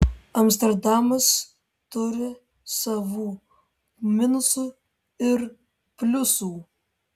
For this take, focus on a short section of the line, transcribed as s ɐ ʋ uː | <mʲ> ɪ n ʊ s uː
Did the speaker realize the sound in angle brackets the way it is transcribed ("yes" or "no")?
yes